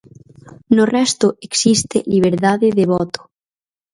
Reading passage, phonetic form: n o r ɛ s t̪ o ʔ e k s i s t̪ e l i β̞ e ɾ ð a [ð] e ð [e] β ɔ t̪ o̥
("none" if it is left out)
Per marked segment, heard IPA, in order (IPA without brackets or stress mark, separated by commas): ð, e